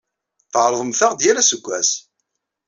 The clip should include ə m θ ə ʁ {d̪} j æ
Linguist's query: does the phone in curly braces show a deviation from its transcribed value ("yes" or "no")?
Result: no